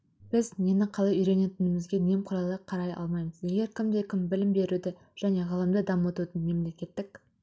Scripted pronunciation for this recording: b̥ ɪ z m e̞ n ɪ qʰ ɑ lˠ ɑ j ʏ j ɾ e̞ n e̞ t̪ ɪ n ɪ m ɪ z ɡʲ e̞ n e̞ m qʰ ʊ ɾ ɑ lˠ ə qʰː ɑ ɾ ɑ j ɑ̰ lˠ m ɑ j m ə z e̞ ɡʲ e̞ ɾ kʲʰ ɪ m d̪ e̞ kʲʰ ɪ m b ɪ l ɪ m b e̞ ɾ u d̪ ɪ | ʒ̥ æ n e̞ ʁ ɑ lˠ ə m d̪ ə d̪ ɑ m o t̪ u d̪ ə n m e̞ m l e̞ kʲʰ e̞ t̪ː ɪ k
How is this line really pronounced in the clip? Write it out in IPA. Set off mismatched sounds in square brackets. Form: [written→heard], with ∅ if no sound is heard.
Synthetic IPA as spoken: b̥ ɪ z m e̞ n ɪ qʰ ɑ lˠ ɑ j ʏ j ɾ e̞ n e̞ t̪ ɪ n ɪ m ɪ z ɡʲ e̞ n e̞ m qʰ ʊ ɾ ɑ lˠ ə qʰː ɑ ɾ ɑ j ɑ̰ lˠ m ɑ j m ə z e̞ ɡʲ e̞ ɾ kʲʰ ɪ m d̪ e̞ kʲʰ ɪ m b ɪ l ɪ m b e̞ ɾ u d̪ ɪ | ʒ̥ æ n e̞ ʁ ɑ lˠ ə m d̪ ə d̪ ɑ m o t̪ u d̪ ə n m e̞ m l e̞ [kʲʰ→kʲ] e̞ t̪ː ɪ k